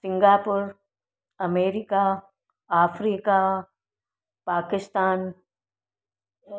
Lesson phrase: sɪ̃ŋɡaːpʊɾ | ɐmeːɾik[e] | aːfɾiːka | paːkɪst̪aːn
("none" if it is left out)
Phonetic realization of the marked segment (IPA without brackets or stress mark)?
a